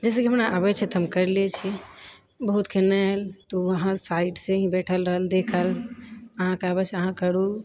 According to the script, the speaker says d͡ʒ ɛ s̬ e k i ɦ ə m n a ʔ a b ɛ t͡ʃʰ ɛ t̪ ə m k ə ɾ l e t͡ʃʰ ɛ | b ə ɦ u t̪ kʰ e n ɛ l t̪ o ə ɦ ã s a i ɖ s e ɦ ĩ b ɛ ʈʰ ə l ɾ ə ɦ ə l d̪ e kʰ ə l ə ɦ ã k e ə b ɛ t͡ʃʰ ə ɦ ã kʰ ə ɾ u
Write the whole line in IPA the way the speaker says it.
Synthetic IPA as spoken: d͡ʒ ɛ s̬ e k i ɦ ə m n a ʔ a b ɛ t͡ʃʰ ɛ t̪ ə m k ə ɾ l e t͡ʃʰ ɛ | b ə ɦ u t̪ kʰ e n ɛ l t̪ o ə ɦ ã s a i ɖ s e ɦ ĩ b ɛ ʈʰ ə l ɾ ə ɦ ə l d̪ e kʰ ə l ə ɦ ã k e a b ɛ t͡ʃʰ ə ɦ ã k ə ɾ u